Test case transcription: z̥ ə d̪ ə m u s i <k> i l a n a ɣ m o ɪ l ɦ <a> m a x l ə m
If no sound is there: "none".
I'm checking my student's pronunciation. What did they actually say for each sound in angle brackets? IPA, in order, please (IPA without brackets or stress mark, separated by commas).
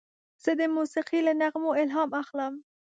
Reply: q, ɑ